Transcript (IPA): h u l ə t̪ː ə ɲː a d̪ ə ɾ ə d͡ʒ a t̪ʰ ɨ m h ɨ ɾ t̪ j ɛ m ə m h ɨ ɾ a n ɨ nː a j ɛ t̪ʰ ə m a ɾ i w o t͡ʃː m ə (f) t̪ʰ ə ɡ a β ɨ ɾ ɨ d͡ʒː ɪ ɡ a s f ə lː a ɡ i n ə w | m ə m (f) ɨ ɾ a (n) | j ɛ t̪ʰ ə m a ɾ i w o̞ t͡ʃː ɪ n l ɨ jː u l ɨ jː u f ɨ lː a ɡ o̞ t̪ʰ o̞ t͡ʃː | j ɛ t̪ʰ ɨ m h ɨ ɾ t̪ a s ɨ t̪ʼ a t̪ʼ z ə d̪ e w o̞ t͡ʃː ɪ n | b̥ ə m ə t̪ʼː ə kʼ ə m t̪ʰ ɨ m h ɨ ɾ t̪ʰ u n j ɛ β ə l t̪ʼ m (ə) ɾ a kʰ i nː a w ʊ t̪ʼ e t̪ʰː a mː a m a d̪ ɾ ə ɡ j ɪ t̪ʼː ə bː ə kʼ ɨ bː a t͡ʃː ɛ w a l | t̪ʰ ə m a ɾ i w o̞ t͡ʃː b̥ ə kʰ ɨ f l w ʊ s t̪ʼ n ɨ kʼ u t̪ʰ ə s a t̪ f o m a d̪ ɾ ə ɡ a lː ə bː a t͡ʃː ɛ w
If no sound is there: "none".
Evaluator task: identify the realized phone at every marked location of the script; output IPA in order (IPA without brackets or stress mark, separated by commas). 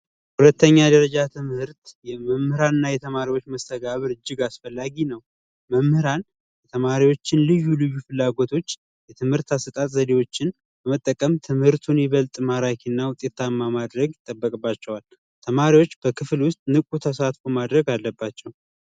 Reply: s, h, n, a